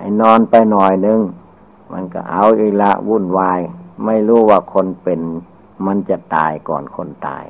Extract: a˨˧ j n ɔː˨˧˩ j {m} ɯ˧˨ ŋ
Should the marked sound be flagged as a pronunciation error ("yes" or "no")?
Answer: yes